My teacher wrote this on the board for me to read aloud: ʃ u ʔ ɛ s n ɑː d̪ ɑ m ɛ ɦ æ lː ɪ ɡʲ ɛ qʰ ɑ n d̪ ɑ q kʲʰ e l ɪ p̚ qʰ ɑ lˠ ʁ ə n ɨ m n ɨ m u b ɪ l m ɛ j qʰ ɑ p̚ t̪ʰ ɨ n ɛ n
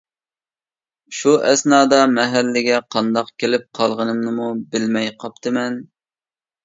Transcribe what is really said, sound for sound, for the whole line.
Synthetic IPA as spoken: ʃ u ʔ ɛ s n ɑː d̪ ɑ m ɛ ɦ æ lː ɪ ɡʲ ɛ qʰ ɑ n d̪ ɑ q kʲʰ e l ɪ p̚ qʰ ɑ lˠ ʁ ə n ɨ m n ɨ m u b ɪ l m ɛ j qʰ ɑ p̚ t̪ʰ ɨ m ɛ n

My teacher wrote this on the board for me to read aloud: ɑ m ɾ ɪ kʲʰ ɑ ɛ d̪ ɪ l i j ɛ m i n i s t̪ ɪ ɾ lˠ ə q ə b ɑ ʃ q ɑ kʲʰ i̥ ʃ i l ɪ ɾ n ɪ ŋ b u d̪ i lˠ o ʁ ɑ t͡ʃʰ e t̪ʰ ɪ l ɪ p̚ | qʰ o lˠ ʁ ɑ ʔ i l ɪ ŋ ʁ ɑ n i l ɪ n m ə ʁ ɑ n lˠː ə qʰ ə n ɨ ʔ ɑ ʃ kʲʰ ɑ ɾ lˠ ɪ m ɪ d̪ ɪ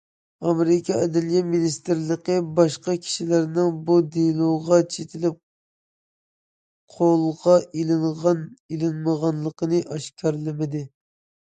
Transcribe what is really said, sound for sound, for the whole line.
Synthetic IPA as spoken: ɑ m ɾ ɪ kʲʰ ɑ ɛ d̪ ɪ l i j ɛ m i n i s t̪ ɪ ɾ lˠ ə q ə b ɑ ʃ q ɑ kʲʰ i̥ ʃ i l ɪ ɾ n ɪ ŋ b u d̪ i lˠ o ʁ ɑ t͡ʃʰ e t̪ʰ ɪ l ɪ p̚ | qʰ o lˠ ʁ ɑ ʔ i l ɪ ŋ ʁ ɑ n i l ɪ n m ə ʁ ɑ n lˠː ə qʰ ə n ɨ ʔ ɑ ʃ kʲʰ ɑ ɾ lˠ ɪ m ɪ d̪ ɪ

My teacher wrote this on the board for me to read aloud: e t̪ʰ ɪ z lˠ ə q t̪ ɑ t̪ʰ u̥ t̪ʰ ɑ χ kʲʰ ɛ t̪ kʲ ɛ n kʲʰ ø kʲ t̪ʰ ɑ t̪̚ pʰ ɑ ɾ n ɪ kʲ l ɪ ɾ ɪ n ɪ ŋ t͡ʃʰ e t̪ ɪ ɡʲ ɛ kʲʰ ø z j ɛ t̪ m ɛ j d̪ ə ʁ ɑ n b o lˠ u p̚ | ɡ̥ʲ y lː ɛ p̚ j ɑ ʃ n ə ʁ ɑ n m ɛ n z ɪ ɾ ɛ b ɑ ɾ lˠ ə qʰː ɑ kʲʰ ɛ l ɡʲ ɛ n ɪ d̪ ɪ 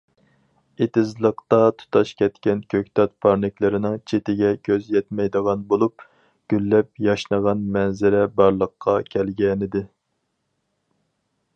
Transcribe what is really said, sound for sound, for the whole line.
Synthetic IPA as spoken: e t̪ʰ ɪ z lˠ ə q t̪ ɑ t̪ʰ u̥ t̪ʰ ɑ ʃ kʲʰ ɛ t̪ kʲ ɛ n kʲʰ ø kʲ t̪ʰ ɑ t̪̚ pʰ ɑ ɾ n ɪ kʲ l ɪ ɾ ɪ n ɪ ŋ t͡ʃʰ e t̪ ɪ ɡʲ ɛ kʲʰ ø z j ɛ t̪ m ɛ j d̪ ə ʁ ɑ n b o lˠ u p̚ | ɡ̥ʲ y lː ɛ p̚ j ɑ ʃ n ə ʁ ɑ n m ɛ n z ɪ ɾ ɛ b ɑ ɾ lˠ ə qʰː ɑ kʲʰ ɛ l ɡʲ ɛ n ɪ d̪ ɪ

